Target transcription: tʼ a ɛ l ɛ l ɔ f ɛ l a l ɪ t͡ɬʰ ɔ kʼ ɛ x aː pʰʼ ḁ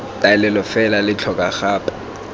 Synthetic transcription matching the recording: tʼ a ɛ l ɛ l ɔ f ɛ l a l ɪ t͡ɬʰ ɔ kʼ a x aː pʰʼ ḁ